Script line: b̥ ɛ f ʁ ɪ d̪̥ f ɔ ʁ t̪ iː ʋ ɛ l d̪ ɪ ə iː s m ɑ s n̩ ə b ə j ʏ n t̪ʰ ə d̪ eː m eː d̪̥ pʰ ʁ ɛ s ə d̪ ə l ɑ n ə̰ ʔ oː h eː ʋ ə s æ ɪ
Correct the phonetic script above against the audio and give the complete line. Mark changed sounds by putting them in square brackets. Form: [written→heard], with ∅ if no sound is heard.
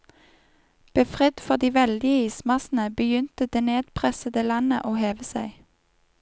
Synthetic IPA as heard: b̥ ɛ f ʁ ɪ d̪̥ f ɔ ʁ [t̪→d̪] iː ʋ ɛ l d̪ ɪ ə iː s m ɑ s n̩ ə b ə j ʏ n [t̪ʰ→t̪] ə d̪ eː [m→n] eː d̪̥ pʰ ʁ ɛ s ə d̪ ə l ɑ n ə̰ ʔ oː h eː ʋ ə s æ ɪ